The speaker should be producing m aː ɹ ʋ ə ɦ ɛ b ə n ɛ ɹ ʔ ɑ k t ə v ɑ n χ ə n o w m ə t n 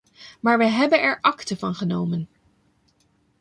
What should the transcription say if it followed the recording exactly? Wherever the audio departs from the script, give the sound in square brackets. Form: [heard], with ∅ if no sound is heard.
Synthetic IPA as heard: m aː ɹ ʋ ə ɦ ɛ b ə n ɛ ɹ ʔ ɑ k t ə v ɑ n χ ə n o w m ə [∅] n